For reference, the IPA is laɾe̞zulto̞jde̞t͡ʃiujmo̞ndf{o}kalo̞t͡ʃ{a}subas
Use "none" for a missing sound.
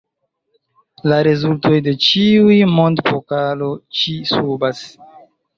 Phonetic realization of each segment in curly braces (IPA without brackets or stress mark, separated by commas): o, i